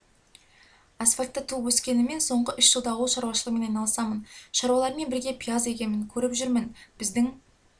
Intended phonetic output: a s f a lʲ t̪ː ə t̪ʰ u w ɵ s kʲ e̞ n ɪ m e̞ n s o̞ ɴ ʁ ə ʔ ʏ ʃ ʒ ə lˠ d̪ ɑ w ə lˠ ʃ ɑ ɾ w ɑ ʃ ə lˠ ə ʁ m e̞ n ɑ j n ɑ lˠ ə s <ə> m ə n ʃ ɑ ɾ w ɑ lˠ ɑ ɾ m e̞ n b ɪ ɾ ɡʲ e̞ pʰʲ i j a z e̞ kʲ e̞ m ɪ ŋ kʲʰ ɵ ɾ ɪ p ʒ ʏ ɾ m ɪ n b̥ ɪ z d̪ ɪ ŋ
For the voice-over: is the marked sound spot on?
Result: no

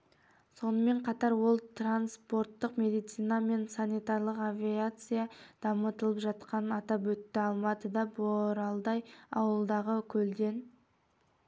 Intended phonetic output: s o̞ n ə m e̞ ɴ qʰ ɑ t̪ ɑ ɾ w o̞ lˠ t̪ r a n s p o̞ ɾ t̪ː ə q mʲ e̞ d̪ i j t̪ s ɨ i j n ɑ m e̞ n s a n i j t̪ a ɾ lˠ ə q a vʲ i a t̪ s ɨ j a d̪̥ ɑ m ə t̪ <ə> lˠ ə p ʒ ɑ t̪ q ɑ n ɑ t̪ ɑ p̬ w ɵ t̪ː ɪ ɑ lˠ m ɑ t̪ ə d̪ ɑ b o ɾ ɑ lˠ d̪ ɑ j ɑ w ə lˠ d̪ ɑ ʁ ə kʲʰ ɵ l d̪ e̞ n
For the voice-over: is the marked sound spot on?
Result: yes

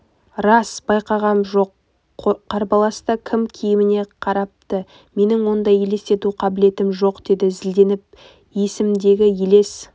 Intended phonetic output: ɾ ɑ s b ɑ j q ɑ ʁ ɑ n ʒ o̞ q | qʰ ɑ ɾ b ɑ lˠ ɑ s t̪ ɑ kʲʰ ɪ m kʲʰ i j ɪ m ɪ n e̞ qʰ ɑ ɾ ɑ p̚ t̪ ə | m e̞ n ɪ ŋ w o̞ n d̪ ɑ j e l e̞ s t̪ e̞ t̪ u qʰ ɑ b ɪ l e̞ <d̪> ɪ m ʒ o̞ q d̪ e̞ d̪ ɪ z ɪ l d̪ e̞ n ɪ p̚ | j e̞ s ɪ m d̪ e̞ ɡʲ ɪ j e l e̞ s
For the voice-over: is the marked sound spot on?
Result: no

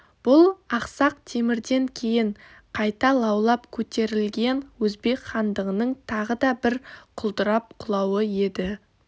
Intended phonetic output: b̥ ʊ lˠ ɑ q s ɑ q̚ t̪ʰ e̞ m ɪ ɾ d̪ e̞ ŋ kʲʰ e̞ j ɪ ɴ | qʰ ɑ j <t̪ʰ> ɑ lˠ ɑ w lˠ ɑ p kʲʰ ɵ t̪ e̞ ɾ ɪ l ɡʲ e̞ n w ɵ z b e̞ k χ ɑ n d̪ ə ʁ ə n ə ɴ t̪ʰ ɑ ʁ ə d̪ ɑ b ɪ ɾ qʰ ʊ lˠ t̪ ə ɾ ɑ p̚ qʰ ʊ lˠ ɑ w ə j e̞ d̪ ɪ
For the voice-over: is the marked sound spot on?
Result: no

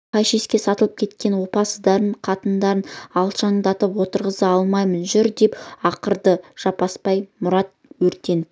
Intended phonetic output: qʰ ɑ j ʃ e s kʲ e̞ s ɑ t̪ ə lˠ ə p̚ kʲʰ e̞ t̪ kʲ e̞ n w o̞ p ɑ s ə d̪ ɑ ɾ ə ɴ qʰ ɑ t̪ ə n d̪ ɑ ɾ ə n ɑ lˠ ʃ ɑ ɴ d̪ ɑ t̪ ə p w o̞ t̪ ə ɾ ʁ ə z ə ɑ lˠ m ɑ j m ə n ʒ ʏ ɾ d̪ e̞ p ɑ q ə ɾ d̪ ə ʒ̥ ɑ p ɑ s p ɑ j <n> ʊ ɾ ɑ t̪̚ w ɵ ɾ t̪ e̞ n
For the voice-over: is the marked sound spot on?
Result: no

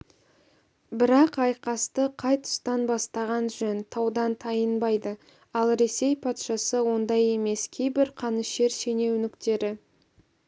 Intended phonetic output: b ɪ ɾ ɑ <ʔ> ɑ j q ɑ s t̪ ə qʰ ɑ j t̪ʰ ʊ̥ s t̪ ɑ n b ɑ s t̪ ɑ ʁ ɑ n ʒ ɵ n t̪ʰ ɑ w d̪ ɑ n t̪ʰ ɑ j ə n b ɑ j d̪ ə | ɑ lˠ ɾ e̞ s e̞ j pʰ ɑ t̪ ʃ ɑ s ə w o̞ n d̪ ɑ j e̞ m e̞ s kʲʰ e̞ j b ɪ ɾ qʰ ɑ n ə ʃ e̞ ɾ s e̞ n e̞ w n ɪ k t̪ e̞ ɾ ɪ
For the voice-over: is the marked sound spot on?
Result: no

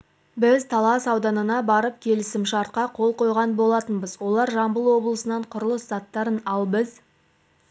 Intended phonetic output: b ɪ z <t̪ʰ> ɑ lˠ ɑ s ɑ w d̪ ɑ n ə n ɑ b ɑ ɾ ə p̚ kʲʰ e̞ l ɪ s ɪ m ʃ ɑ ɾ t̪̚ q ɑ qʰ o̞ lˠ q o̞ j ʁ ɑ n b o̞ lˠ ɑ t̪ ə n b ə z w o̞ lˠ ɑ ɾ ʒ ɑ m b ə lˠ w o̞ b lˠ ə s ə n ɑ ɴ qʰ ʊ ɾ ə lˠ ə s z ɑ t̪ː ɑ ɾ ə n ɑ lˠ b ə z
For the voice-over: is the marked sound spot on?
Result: yes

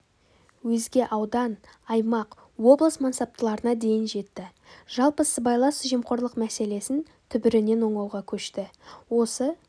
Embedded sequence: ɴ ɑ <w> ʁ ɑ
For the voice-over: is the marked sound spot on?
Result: yes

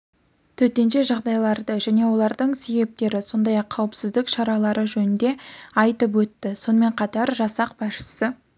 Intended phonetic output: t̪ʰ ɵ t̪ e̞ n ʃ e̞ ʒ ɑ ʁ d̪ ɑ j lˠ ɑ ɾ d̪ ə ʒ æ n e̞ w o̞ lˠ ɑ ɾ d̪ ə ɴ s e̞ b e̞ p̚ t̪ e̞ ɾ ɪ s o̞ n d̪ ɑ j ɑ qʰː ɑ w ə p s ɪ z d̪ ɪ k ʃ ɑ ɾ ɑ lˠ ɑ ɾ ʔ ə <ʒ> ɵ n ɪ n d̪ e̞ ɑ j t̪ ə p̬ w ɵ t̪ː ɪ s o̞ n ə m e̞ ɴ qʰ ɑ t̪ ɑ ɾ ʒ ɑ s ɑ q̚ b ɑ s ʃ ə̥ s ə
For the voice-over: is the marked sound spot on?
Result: yes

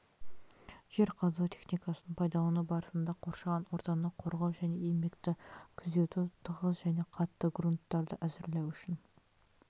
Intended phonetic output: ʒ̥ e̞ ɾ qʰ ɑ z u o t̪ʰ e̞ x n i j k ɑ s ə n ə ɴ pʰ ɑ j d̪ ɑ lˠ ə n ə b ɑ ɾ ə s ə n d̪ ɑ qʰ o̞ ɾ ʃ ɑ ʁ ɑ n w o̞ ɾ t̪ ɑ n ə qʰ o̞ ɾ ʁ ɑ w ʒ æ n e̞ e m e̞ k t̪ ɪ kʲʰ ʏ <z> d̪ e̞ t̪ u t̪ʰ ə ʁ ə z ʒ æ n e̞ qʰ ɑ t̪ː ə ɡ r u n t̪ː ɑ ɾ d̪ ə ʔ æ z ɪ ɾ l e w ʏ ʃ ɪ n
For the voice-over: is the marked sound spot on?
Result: yes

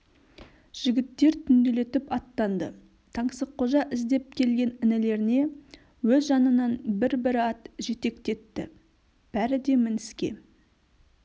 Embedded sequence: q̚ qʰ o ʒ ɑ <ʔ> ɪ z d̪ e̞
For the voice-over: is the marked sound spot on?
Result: yes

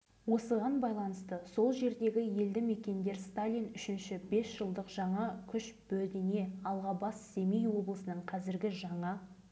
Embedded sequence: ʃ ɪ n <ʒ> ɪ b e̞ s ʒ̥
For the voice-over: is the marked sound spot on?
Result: no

